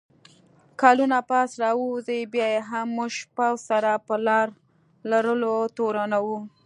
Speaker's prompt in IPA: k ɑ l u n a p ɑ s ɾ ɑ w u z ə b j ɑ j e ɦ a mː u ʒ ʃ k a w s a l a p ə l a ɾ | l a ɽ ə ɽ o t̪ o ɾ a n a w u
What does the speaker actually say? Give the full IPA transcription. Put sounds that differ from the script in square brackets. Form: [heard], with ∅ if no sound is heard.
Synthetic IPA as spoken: k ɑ l u n a p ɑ s ɾ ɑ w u z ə b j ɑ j e ɦ a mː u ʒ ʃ [p] a w s a [ɾ] a p ə l [ɑ] ɾ | l a [ɾ] ə [l] o t̪ o ɾ a n a w u